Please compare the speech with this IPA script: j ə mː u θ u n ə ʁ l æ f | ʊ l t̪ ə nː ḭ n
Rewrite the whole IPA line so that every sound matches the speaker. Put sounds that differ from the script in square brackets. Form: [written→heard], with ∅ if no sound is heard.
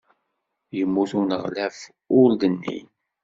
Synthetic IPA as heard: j ə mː u θ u n ə ʁ l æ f | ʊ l [t̪→d̪] ə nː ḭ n